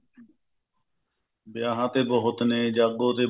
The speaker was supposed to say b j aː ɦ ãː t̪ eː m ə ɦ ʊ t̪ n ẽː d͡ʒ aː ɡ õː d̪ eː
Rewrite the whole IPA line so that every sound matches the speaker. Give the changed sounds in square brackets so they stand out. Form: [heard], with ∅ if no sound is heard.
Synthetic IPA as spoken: b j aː ɦ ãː t̪ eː [b] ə ɦ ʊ t̪ n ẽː d͡ʒ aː ɡ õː [t̪] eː